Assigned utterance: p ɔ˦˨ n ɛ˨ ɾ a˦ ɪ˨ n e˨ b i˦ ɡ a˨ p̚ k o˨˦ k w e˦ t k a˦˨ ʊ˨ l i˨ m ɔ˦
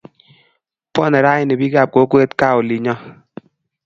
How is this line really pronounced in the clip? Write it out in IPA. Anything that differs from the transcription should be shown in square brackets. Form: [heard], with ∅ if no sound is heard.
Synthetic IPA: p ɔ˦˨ n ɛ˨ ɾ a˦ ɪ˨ n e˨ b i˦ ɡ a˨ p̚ k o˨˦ k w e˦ t k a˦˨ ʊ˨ l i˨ [ɲ] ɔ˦